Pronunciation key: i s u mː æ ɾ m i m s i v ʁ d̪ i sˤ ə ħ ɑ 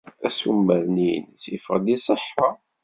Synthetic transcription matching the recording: æ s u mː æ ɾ n i n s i f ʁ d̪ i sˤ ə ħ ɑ